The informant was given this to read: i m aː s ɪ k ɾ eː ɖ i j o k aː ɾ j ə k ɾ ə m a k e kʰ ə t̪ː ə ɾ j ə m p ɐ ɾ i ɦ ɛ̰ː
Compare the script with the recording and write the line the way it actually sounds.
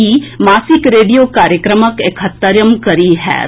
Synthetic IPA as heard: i m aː s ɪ k ɾ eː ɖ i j o k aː ɾ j ə k ɾ ə m ə k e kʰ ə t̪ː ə ɾ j ə m k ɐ ɾ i ɦ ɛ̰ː